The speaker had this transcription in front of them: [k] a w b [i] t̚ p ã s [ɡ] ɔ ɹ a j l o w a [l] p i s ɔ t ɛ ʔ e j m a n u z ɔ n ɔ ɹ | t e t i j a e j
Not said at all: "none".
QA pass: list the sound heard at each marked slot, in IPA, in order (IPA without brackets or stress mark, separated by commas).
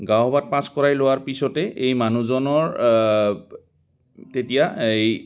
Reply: ɡ, a, k, ɹ